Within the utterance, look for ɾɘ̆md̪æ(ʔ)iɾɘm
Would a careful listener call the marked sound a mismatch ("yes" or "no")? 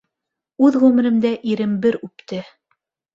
no